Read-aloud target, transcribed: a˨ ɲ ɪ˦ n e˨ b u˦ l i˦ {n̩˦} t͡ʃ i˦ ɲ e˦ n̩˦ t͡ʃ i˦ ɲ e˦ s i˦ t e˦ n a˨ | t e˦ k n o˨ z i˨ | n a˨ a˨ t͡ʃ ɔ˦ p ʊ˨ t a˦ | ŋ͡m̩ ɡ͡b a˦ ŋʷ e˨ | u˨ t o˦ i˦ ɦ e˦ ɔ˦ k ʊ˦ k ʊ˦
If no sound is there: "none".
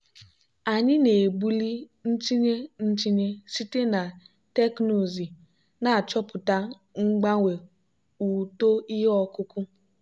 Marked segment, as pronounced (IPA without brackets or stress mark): n̩˦